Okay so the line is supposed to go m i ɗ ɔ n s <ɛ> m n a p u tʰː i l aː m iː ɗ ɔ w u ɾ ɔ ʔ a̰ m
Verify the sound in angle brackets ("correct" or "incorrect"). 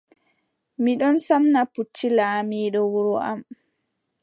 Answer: incorrect